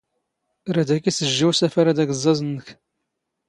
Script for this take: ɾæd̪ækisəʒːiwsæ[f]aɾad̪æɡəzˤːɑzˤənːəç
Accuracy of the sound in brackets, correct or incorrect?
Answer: correct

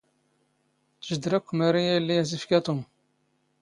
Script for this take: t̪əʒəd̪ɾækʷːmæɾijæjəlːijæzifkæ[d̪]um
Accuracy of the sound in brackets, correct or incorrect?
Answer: incorrect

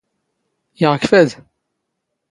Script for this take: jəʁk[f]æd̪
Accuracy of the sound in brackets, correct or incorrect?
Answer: correct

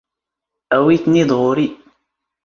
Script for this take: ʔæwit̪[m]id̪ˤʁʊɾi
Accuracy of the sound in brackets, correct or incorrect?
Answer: incorrect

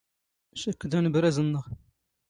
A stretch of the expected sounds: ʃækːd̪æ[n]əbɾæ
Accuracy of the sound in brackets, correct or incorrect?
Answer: correct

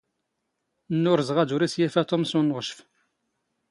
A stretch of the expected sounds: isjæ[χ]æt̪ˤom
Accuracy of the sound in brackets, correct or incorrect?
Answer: incorrect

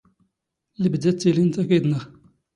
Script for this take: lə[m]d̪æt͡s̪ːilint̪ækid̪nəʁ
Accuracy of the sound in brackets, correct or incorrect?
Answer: incorrect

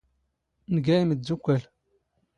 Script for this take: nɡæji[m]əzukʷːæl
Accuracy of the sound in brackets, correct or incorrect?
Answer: correct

